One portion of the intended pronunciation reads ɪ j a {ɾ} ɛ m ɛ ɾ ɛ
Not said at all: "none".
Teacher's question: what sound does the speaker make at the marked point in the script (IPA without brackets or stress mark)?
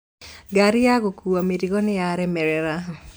ɾ